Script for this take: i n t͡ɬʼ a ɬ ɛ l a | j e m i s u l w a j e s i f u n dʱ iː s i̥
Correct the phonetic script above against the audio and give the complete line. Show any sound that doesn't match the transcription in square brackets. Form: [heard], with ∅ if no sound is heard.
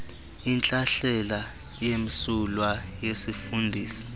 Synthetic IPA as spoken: i n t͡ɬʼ a ɬ ɛ l a | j e m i s u l w a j e s i f u n dʱ iː s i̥

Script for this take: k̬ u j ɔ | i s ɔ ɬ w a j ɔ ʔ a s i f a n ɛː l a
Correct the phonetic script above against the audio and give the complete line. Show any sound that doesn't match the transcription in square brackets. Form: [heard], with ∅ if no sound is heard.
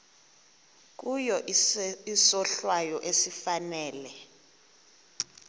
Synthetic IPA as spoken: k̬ u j ɔ | i s ɔ ɬ w a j ɔ ʔ [e] s i f a n ɛː l [ɛ]

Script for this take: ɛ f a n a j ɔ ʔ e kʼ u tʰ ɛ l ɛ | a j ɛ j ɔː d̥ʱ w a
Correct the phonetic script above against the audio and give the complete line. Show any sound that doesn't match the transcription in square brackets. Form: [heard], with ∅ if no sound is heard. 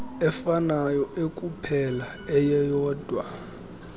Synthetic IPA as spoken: ɛ f a n a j ɔ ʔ e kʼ u [pʰ] ɛ l [a] | [ɛ] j ɛ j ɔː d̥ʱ w a

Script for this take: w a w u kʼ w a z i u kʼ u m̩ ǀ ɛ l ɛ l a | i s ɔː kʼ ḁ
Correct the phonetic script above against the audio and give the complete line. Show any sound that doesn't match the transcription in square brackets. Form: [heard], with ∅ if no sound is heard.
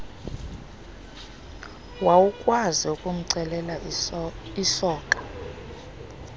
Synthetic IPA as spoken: w a w u kʼ w a z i u kʼ u m̩ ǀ ɛ l ɛ l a | i s ɔː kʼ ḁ

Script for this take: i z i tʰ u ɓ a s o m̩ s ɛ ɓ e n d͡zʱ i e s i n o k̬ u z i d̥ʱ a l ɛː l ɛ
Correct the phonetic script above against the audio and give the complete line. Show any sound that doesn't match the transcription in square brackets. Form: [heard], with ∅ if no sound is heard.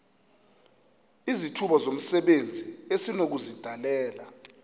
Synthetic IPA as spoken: i z i tʰ u ɓ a [z] o m̩ s ɛ ɓ e n d͡zʱ i e s i n o k̬ u z i d̥ʱ a l ɛː l [a]

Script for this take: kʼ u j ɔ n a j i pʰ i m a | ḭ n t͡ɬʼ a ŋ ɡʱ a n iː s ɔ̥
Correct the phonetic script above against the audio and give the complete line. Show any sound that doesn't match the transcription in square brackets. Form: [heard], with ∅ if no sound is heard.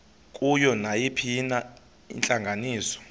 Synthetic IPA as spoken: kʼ u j ɔ n a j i pʰ i [n] a | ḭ n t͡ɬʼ a ŋ ɡʱ a n iː s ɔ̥

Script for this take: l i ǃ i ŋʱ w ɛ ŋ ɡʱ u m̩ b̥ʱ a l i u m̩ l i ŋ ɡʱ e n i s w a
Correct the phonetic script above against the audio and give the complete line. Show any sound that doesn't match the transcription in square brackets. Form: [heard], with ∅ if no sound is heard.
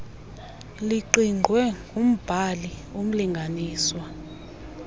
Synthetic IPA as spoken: l i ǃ i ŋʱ w ɛ ŋ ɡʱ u m̩ b̥ʱ a l i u m̩ l i ŋ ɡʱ [a] n [iː] s w a

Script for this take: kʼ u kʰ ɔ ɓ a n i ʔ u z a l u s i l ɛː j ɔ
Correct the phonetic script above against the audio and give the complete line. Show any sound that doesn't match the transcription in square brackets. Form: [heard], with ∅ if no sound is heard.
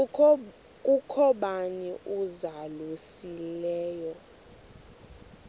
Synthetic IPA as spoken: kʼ u kʰ ɔ ɓ a n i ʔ u z a l u s i l ɛː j ɔ

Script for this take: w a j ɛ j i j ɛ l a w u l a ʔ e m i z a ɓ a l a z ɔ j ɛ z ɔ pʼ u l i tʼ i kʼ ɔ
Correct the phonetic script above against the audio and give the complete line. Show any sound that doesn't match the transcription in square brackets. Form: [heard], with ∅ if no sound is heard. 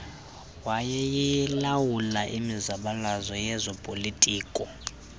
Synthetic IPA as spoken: w a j ɛ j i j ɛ l a w u l a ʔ [i] m i z a ɓ a l a z ɔ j ɛ z ɔ pʼ [o] l i tʼ [iː] kʼ ɔ

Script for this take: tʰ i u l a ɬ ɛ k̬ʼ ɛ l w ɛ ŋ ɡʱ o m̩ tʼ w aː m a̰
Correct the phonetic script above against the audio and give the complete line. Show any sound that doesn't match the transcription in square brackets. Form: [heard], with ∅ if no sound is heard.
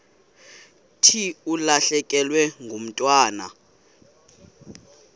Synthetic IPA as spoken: tʰ i u l a ɬ ɛ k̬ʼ ɛ l w ɛ ŋ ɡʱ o m̩ tʼ w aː [n] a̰

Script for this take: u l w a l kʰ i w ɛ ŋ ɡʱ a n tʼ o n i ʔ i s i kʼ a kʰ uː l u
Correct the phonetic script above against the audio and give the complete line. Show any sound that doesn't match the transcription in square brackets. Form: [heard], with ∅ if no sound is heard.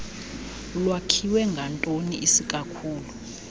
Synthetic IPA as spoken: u l w a [∅] kʰ i w ɛ ŋ ɡʱ a n tʼ o n i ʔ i s i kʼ a kʰ uː l u

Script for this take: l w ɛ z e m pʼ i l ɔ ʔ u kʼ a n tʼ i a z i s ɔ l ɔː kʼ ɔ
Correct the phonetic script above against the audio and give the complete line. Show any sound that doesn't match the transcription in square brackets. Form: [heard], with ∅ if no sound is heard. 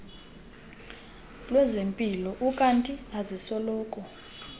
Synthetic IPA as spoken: l w ɛ z e m pʼ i l ɔ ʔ u kʼ a n tʼ i a z i s ɔ l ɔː kʼ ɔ

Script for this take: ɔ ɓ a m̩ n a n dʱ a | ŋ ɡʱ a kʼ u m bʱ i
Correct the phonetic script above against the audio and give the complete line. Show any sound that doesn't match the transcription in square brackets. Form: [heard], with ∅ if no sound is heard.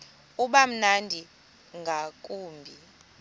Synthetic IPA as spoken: [u] ɓ a m̩ n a n dʱ [i] | ŋ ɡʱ a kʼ [uː] m bʱ i

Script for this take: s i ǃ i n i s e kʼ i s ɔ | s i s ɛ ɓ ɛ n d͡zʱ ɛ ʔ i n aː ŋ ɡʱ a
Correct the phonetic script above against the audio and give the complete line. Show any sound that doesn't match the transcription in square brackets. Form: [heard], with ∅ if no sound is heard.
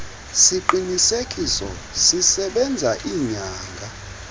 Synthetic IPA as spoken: s i ǃ i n i s e kʼ i s ɔ | s i s ɛ ɓ ɛ n d͡zʱ [a] ʔ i [ɲ] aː ŋ ɡʱ a

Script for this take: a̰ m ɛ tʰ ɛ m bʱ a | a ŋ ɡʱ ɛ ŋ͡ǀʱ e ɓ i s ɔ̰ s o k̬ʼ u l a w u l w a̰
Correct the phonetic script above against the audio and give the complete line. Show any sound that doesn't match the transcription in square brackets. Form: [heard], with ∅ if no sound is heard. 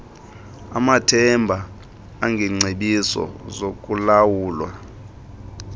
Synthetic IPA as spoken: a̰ m [a] tʰ ɛ m bʱ a | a ŋ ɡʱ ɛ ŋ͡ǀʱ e ɓ i s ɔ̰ [z] o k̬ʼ u l a w [uː] l w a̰

